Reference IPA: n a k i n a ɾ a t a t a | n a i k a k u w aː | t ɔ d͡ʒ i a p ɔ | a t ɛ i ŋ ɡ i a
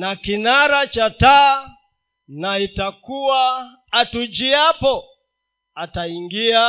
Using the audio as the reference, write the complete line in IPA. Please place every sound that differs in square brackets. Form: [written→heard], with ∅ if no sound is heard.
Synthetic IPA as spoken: n a k i n a ɾ a [t→t͡ʃ] a t a | n a i [k→t] a k u w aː | t [ɔ→u] d͡ʒ i a p ɔ | a t [ɛ→a] i ŋ ɡ i a